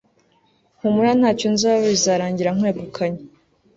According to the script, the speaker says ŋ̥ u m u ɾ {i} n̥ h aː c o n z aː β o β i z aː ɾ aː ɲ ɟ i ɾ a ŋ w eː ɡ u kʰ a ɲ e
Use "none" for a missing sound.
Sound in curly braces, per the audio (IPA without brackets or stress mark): a